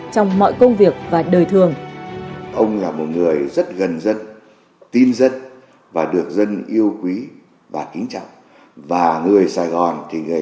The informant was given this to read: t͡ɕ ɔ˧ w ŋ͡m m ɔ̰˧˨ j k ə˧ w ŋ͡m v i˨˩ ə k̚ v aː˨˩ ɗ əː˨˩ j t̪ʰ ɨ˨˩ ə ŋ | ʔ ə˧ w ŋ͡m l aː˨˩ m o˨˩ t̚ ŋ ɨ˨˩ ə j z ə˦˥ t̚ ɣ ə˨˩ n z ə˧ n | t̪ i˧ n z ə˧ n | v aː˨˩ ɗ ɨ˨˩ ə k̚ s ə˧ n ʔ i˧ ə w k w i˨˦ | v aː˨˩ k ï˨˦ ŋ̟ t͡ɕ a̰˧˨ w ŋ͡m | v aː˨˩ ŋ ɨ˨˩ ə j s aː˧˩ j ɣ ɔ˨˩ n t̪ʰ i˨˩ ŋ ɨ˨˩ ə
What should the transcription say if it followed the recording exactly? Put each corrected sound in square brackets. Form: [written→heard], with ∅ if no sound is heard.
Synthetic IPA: t͡ɕ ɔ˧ w ŋ͡m m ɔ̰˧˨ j k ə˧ w ŋ͡m v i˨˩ ə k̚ v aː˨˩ ɗ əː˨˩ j t̪ʰ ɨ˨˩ ə ŋ | ʔ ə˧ w ŋ͡m l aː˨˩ m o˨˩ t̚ ŋ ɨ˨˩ ə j z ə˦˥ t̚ ɣ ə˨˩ n z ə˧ n | t̪ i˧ n z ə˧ n | v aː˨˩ ɗ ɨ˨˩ ə k̚ [s→z] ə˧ n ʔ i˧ ə w k w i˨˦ | v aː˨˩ k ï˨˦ ŋ̟ t͡ɕ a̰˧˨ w ŋ͡m | v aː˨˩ ŋ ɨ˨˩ ə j s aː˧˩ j ɣ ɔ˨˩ n t̪ʰ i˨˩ ŋ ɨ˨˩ ə

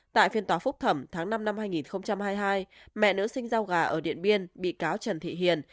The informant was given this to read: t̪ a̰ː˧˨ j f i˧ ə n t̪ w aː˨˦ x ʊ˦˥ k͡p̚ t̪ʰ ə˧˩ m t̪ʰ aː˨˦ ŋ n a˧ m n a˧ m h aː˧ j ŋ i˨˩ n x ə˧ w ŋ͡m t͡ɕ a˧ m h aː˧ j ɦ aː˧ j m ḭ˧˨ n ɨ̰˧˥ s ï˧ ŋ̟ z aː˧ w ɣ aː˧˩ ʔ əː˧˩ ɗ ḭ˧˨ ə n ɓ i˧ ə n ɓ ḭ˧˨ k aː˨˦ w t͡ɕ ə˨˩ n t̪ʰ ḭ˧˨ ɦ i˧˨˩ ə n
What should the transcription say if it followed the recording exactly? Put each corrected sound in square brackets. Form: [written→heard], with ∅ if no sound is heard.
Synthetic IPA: t̪ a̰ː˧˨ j f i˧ ə n t̪ w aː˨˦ [x→f] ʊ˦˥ k͡p̚ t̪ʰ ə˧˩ m t̪ʰ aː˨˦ ŋ n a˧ m n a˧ m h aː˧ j ŋ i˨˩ n x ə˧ w ŋ͡m t͡ɕ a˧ m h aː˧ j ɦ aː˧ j m [ḭ˧˨→ɛ̰˧˨] n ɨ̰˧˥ s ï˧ ŋ̟ z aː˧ w ɣ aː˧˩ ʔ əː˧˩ ɗ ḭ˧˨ ə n ɓ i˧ ə n ɓ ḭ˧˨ k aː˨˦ w t͡ɕ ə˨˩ n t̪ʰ ḭ˧˨ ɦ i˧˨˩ ə n

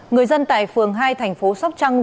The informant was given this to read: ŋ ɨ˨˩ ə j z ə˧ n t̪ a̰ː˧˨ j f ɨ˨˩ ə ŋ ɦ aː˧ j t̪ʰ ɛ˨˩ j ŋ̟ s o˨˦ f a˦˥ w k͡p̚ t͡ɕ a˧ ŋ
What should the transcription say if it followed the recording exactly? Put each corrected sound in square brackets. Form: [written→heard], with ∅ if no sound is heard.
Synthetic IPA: ŋ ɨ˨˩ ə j z ə˧ n t̪ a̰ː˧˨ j f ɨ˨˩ ə ŋ ɦ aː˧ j t̪ʰ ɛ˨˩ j ŋ̟ [s→f] o˨˦ [f→s] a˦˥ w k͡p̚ t͡ɕ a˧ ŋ

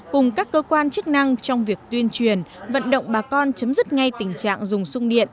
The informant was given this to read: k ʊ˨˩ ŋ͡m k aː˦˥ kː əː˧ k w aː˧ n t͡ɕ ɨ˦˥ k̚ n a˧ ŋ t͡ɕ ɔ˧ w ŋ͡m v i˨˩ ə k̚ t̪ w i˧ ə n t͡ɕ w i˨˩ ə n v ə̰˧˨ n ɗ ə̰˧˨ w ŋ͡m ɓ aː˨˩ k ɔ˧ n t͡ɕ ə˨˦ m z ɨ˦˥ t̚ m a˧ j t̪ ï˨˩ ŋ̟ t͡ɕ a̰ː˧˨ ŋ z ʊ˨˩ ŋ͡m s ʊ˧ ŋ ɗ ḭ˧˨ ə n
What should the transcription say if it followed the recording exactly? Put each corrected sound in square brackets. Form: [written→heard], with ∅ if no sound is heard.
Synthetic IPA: k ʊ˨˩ ŋ͡m k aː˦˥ kː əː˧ k w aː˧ n t͡ɕ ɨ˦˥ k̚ n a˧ ŋ t͡ɕ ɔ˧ w ŋ͡m v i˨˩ ə k̚ t̪ w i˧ ə n t͡ɕ w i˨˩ ə n v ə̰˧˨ n ɗ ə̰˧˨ w ŋ͡m ɓ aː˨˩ k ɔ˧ n t͡ɕ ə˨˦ m z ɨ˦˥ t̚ [m→ŋ] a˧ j t̪ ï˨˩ ŋ̟ t͡ɕ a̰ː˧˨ ŋ z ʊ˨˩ ŋ͡m s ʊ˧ [ŋ→ŋ͡m] ɗ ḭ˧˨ ə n

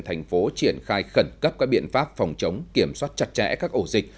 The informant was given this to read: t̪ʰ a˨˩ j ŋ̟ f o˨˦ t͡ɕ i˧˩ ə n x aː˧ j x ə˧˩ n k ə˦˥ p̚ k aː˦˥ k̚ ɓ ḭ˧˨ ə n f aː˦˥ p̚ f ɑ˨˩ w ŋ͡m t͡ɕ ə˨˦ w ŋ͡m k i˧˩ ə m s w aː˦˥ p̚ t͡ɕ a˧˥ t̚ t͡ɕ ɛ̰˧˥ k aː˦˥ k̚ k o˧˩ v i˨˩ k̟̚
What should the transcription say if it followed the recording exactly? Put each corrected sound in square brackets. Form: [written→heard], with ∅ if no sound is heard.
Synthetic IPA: t̪ʰ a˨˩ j ŋ̟ f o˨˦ t͡ɕ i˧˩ ə n x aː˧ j x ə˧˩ n k ə˦˥ p̚ k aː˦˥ k̚ ɓ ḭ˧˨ ə n f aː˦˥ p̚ f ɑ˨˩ w ŋ͡m t͡ɕ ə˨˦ w ŋ͡m k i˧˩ ə m s w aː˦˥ [p̚→t̚] t͡ɕ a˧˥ t̚ t͡ɕ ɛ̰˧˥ k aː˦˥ k̚ [k→ʔ] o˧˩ [v→z] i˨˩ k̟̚

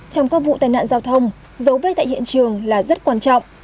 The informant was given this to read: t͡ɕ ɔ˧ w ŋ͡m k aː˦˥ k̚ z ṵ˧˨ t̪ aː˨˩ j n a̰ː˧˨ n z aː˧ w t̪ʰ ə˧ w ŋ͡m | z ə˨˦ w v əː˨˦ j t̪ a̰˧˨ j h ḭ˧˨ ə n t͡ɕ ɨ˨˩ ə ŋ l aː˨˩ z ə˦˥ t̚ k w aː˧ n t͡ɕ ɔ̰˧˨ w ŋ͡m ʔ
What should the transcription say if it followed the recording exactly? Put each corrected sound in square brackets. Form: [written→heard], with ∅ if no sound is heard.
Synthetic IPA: t͡ɕ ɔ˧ w ŋ͡m k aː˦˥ k̚ [z→v] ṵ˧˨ t̪ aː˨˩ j n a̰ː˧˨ n z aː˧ w t̪ʰ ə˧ w ŋ͡m | z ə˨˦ w v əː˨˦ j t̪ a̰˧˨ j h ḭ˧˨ ə n t͡ɕ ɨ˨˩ ə ŋ l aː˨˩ z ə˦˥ t̚ k w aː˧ n t͡ɕ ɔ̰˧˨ w ŋ͡m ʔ

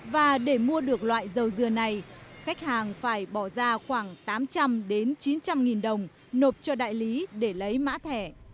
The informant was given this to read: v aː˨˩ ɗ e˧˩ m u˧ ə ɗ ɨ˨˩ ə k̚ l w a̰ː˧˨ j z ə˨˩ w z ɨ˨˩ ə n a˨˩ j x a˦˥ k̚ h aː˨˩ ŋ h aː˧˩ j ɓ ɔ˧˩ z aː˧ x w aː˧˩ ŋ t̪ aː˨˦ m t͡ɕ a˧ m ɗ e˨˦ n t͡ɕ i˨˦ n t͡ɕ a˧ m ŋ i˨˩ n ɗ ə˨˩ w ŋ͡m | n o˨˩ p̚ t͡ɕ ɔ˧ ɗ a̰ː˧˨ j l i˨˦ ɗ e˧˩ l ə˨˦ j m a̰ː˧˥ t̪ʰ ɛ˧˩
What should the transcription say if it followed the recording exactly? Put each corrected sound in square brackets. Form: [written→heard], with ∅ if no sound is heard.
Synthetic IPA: v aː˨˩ ɗ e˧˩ m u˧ ə ɗ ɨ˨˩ ə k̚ l w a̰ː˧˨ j z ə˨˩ w z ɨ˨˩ ə n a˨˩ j x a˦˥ k̚ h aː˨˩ ŋ [h→f] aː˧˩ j ɓ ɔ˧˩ z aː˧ x w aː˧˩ ŋ t̪ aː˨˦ m t͡ɕ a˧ m ɗ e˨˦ n t͡ɕ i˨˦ n t͡ɕ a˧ m ŋ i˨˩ n ɗ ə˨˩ w ŋ͡m | n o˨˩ p̚ t͡ɕ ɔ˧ ɗ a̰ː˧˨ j l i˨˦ ɗ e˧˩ l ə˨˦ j m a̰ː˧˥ t̪ʰ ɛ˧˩

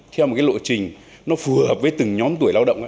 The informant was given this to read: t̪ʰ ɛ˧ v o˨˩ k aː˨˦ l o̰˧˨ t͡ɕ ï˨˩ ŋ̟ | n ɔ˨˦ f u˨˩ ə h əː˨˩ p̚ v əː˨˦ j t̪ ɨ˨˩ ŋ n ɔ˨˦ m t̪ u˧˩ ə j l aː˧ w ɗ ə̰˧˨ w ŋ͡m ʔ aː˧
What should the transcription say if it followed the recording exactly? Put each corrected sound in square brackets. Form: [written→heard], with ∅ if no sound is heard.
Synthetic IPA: t̪ʰ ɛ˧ [v→w] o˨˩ k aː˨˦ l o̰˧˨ t͡ɕ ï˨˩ ŋ̟ | n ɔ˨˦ f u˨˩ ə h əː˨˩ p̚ v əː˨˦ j t̪ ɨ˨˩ ŋ [n→ɲ] ɔ˨˦ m t̪ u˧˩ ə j l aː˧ w ɗ ə̰˧˨ w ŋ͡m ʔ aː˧

